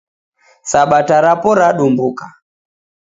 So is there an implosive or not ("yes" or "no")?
yes